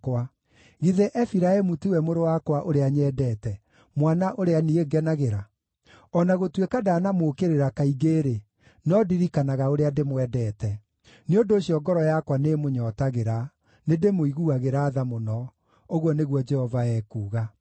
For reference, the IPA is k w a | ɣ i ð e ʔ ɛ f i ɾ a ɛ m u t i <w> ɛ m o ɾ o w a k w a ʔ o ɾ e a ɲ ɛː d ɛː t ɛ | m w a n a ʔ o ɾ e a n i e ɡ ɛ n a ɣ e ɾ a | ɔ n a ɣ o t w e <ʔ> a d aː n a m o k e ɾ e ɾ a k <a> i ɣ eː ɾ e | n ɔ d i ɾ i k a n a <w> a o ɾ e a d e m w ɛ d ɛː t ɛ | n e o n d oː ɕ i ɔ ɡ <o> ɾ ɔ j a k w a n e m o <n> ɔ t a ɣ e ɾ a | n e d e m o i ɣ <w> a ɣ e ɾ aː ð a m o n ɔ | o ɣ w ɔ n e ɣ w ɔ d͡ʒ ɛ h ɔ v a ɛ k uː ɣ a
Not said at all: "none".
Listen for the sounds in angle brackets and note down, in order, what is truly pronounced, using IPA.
w, k, a, ɣ, ɔ, ɲ, u

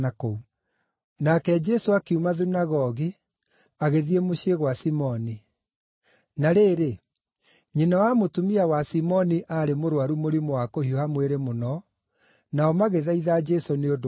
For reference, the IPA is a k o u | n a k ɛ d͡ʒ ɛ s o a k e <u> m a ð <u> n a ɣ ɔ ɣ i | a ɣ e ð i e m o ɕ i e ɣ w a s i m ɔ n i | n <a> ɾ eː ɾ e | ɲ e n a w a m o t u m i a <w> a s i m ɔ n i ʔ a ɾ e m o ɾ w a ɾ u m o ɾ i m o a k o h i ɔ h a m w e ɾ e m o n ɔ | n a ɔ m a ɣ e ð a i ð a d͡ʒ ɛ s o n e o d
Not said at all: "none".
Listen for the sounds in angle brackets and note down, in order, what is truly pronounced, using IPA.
u, u, a, w

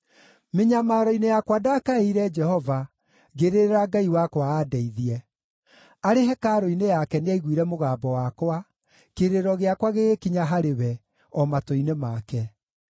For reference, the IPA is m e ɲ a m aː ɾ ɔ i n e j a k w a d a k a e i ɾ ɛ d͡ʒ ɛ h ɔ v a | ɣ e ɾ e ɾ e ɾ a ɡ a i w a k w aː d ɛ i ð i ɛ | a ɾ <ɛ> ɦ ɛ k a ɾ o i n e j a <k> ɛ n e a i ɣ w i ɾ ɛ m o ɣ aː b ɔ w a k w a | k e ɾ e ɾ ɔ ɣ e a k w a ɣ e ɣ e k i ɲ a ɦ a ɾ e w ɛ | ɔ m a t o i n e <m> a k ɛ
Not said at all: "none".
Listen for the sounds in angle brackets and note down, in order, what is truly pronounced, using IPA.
e, k, m

